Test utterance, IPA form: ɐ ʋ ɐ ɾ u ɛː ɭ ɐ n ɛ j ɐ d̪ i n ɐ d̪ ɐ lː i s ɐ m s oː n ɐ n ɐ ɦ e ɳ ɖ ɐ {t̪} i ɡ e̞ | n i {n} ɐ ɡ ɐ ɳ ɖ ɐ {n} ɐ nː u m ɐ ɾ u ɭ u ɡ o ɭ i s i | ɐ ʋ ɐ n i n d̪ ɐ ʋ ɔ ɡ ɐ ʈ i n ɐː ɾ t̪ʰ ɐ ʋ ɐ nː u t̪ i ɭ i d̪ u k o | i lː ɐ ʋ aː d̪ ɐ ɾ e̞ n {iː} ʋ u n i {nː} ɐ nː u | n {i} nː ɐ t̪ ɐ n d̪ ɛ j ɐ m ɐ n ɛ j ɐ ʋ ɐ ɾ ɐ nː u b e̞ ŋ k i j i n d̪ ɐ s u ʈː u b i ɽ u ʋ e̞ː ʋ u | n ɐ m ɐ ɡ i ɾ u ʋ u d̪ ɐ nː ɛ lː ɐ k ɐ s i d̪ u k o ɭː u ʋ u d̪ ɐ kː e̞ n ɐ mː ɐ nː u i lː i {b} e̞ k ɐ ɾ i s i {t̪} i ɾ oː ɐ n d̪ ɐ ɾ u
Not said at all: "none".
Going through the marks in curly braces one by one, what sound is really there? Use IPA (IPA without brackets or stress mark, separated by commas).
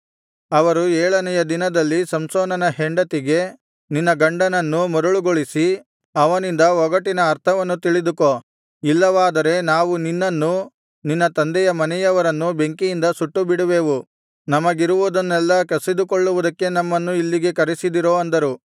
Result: t̪, nː, n, aː, nː, i, ɡ, d̪